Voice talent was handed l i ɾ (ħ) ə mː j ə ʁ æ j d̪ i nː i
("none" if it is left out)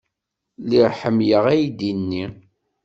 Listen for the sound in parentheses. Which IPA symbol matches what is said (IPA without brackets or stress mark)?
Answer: ħ